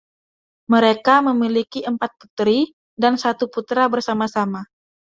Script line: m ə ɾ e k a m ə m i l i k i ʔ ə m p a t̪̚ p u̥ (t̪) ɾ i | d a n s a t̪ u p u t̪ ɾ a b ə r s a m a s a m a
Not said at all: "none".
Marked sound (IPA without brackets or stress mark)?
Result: t̪